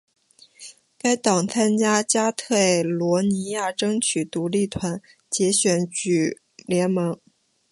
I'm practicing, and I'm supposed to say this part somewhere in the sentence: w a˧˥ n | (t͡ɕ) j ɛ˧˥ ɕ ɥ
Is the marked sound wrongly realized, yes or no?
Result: no